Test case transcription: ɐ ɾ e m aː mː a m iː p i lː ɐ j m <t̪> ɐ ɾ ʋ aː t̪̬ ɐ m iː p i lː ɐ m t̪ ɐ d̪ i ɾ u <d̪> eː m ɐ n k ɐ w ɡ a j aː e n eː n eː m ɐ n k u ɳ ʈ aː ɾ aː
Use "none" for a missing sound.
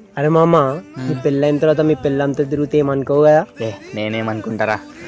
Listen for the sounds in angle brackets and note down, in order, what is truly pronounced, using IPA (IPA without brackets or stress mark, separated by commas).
t̪, t̪